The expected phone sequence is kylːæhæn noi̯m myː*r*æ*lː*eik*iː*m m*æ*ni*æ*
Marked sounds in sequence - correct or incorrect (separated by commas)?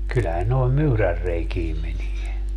correct, incorrect, correct, incorrect, incorrect